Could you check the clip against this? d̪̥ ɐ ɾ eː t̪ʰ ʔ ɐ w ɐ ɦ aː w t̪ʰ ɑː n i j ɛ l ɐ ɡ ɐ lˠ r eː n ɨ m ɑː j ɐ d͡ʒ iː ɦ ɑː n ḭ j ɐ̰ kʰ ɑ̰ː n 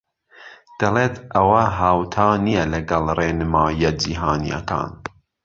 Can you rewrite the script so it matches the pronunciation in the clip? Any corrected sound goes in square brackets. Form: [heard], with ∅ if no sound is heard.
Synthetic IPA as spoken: d̪̥ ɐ [l] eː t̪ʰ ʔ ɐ w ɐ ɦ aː w t̪ʰ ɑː n i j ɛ l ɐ ɡ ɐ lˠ r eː n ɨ m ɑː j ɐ d͡ʒ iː ɦ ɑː n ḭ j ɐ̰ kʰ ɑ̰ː n